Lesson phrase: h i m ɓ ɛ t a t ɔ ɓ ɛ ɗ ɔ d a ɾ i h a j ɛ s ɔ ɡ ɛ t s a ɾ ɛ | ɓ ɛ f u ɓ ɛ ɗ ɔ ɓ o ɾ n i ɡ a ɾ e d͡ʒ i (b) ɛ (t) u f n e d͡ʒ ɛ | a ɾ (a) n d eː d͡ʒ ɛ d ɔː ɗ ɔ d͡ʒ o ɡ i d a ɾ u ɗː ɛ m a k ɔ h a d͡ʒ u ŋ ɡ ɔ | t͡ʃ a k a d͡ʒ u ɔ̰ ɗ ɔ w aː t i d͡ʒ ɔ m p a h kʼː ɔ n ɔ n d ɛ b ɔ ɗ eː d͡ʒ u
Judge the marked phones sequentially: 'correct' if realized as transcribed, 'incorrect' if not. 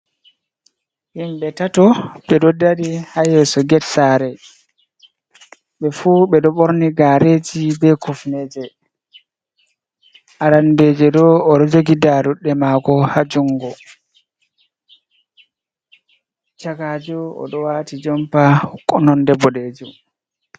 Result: correct, incorrect, correct

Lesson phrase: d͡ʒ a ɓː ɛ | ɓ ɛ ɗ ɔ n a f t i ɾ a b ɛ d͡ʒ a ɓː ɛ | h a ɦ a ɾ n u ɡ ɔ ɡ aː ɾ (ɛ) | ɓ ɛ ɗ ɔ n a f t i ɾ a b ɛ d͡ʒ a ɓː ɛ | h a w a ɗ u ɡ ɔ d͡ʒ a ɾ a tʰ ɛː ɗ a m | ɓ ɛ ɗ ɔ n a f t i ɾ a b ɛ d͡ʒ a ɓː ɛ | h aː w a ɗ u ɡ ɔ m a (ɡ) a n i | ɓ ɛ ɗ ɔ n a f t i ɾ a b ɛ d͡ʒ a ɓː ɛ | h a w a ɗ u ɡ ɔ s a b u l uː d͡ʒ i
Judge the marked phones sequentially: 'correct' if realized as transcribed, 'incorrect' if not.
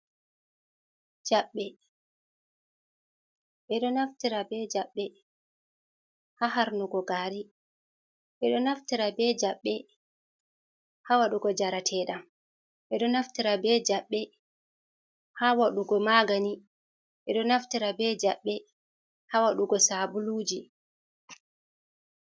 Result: incorrect, correct

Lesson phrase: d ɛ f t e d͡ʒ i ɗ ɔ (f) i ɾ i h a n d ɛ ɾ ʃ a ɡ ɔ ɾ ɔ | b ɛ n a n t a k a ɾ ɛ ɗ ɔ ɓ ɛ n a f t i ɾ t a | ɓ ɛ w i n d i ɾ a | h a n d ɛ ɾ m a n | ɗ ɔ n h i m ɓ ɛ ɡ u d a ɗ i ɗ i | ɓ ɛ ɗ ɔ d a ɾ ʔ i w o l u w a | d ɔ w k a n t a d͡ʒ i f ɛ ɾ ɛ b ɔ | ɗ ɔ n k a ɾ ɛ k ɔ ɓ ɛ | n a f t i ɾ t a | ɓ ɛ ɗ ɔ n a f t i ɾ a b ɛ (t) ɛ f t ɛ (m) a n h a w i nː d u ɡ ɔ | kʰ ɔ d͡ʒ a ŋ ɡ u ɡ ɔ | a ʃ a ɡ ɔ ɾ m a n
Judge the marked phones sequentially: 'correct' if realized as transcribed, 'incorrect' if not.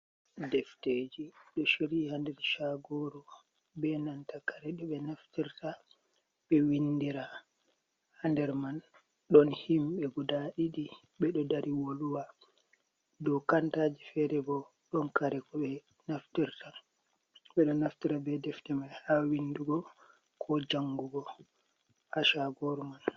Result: incorrect, incorrect, correct

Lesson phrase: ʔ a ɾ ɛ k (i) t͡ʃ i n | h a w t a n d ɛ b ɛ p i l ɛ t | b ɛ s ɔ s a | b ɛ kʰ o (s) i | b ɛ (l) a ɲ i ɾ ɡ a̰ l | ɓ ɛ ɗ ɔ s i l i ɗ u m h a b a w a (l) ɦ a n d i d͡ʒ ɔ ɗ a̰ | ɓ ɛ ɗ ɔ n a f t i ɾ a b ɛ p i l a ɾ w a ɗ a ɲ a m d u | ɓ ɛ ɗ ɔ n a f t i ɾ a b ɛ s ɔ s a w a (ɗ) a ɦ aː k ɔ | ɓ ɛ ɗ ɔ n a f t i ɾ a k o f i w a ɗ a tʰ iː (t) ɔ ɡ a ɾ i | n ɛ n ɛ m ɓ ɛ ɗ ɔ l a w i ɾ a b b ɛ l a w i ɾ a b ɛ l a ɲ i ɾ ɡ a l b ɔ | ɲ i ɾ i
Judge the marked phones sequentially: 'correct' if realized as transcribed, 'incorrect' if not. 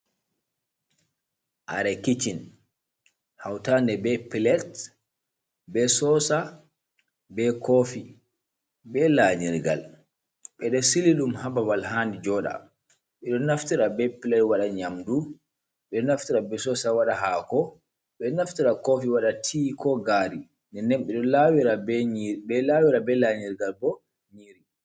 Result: correct, incorrect, correct, correct, correct, incorrect

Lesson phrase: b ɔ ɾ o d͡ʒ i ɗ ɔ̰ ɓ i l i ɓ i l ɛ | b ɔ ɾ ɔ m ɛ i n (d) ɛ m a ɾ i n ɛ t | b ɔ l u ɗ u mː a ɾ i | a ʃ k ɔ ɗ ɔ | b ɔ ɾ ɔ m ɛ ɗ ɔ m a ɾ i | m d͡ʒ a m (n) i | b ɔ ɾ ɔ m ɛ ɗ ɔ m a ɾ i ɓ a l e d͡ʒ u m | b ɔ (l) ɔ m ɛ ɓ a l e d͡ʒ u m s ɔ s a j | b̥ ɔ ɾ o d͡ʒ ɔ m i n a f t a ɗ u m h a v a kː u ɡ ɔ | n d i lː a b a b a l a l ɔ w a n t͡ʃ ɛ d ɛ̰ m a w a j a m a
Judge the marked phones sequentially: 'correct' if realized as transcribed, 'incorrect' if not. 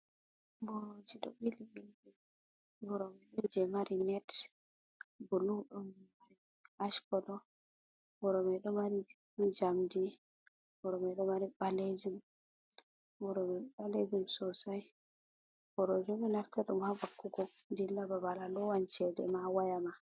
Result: incorrect, incorrect, incorrect

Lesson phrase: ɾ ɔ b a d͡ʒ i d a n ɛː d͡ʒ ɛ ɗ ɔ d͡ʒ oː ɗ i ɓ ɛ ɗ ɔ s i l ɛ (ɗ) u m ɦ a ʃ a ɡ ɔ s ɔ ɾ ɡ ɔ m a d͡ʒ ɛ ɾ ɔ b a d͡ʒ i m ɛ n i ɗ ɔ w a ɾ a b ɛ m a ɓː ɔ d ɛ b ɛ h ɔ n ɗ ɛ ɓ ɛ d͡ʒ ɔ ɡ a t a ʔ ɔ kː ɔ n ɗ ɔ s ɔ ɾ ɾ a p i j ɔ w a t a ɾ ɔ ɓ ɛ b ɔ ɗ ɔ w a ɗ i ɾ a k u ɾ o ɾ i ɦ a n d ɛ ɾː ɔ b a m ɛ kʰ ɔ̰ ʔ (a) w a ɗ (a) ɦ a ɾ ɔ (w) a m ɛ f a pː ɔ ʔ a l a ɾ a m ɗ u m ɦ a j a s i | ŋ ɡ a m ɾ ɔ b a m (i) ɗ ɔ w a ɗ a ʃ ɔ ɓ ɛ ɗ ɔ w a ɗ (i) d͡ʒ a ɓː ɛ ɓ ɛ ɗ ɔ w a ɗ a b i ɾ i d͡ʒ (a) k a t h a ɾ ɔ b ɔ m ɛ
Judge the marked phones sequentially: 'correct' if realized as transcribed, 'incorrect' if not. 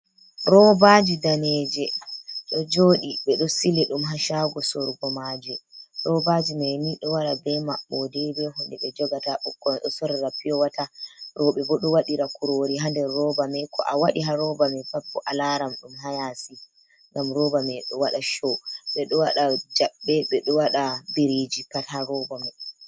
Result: correct, correct, incorrect, incorrect, incorrect, incorrect, incorrect

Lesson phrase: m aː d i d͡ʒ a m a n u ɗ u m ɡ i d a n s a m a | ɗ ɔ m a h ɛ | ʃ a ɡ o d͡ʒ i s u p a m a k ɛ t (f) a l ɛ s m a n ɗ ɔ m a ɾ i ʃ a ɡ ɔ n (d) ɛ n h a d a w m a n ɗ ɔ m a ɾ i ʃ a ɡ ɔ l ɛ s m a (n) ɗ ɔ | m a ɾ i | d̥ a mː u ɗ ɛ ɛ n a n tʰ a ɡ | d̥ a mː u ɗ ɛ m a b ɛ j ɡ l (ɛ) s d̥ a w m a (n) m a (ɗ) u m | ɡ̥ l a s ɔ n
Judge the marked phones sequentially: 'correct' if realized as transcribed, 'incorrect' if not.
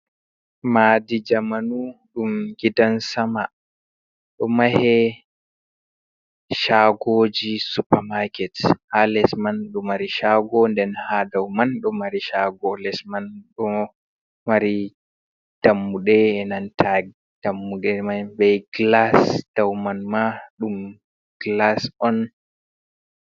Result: incorrect, correct, correct, incorrect, correct, correct

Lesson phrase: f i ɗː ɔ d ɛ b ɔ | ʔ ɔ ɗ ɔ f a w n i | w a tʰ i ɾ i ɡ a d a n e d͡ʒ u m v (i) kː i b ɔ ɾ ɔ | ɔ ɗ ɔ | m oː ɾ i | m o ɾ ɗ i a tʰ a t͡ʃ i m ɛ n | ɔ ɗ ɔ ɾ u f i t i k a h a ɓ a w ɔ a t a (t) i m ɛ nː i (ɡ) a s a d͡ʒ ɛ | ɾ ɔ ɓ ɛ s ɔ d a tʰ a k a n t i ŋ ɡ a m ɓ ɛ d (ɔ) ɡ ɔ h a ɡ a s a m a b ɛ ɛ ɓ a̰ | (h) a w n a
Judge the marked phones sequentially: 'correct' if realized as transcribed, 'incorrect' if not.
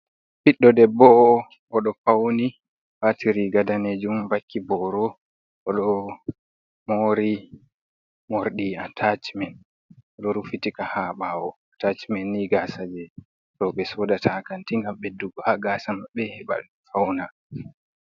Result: incorrect, incorrect, correct, incorrect, incorrect

